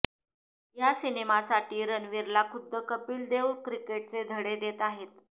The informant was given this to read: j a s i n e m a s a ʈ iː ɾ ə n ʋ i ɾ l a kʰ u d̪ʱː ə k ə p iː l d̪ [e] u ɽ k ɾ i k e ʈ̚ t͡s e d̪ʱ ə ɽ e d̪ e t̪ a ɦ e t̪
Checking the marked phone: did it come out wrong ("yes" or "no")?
no